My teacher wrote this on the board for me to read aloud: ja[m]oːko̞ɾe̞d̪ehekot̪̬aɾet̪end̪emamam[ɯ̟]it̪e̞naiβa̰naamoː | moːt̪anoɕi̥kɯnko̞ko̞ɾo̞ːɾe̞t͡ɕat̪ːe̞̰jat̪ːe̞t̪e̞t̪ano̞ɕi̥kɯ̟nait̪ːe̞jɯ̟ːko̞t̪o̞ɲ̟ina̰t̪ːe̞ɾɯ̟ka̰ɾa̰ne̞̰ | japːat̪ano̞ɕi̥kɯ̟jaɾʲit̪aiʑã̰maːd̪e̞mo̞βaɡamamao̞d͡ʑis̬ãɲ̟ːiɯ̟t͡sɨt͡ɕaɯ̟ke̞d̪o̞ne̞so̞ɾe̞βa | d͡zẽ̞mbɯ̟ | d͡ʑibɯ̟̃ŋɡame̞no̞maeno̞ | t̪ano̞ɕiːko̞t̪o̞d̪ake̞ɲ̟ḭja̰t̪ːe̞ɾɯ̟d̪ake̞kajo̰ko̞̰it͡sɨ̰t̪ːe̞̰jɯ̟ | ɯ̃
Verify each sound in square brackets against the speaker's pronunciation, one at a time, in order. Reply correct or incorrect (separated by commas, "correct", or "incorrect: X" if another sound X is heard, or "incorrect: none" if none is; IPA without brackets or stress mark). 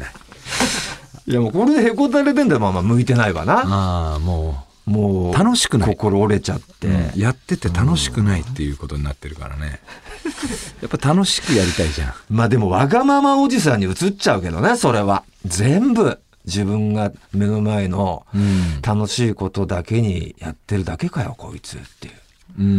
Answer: correct, correct